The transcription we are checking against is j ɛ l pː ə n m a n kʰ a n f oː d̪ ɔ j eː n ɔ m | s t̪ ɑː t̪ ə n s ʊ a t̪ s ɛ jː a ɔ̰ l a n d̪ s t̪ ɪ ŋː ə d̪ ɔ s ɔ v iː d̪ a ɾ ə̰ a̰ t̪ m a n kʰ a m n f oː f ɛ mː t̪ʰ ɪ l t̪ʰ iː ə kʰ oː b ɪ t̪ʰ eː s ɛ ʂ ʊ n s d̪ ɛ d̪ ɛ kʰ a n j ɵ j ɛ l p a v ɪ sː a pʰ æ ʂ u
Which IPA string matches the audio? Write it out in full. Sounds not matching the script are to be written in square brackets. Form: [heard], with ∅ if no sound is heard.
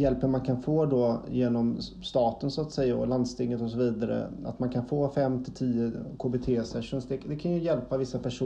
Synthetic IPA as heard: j ɛ l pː ə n m a n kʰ a n f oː d̪ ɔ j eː n ɔ m | s t̪ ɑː t̪ ə n s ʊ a t̪ s ɛ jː a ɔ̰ l a n d̪ s t̪ ɪ ŋː ə [t̪] ɔ s ɔ v iː d̪ a ɾ ə̰ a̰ t̪ m a n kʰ a [∅] n f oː f ɛ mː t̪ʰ ɪ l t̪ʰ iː ə kʰ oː b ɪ t̪ʰ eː s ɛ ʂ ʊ n s d̪ ɛ d̪ ɛ kʰ a n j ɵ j ɛ l p a v ɪ sː a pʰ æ ʂ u